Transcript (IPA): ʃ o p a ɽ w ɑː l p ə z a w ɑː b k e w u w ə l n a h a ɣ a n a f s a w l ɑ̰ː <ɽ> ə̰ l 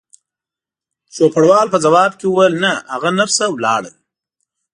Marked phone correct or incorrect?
correct